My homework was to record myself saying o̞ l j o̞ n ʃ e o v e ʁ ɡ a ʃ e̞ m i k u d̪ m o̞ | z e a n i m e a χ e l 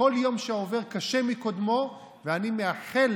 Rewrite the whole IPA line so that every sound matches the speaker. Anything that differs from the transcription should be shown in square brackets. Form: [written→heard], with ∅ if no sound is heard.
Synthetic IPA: o̞ l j o̞ [n→m] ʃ e o v e ʁ [ɡ→k] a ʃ e̞ m i k [u→o] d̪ m o̞ | [z→v] e a n i m e a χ e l

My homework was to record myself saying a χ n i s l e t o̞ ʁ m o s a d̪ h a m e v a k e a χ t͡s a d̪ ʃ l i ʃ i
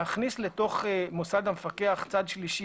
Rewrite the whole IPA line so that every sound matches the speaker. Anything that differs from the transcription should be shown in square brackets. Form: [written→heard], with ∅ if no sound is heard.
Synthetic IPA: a χ n i s l e t o̞ [ʁ→χ] m o s a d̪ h a m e [v→f] a k e a χ t͡s a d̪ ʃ l i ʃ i

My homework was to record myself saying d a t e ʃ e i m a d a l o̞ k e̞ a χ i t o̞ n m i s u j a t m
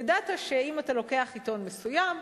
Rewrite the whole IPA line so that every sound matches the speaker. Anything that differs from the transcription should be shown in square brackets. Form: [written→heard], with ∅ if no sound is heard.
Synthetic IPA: d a t [e→a] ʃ e i m a [d→t] a l o̞ k e̞ a χ i t o̞ n m [i→e] s u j a [t→∅] m

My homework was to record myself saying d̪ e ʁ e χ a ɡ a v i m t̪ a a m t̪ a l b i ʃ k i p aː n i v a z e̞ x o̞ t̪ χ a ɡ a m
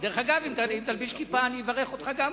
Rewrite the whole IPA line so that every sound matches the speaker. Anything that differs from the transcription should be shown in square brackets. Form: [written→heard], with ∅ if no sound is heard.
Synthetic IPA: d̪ e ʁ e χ a ɡ a v i m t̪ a [a→i] m t̪ a l b i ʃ k i p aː n i v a [z→ʁ] e̞ [x→χ] o̞ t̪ χ a ɡ a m

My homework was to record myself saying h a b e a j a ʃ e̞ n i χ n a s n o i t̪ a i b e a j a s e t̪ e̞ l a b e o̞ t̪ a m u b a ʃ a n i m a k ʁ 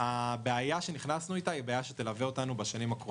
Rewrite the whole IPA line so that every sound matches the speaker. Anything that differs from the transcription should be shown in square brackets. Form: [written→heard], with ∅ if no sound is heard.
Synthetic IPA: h a b e a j a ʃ e̞ n i χ n a s n [o→u] i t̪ a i b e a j a [s→ʃ] e t̪ e̞ l a [b→v] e o̞ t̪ a [m→n] u b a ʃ a n i m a k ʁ

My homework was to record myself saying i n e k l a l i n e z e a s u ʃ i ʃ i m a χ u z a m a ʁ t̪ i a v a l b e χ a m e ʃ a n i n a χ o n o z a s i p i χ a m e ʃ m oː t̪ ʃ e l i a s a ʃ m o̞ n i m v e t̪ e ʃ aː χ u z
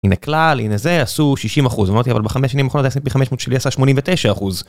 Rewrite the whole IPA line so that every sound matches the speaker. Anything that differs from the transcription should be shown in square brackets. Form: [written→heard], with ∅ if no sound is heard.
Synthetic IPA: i n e k l a l i n e z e a s u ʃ i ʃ i m a χ u z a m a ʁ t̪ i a v a l b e χ a m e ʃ a n i [n→m] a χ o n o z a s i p i χ a m e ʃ m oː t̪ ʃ e l i a s a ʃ m o̞ n i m v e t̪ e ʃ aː χ u z

